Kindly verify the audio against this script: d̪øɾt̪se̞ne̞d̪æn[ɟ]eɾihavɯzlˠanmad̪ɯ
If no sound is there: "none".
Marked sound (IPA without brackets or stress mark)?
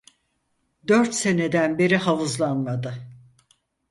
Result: b